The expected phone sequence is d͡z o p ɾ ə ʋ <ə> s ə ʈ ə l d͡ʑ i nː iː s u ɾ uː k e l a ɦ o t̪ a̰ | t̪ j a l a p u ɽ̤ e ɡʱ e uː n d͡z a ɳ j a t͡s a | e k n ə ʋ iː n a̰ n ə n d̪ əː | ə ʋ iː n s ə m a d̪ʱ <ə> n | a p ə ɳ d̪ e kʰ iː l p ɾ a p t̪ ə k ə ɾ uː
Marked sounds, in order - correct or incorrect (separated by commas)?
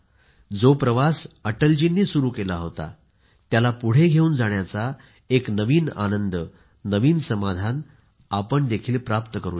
incorrect, incorrect